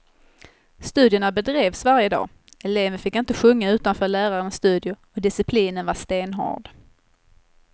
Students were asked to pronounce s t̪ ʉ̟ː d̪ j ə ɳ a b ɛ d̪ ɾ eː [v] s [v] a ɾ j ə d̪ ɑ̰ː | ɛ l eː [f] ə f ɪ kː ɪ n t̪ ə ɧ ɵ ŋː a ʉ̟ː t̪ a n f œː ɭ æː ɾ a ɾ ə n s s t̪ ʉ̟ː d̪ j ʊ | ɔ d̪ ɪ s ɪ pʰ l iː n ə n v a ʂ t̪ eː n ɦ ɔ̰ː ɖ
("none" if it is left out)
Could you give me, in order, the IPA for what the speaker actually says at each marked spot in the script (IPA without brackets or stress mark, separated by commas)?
v, v, v